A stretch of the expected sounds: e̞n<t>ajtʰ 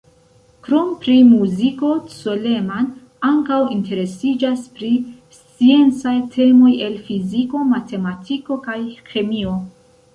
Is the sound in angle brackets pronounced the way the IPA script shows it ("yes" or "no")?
no